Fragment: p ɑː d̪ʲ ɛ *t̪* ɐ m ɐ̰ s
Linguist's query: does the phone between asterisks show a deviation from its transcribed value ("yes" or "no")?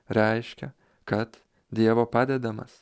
yes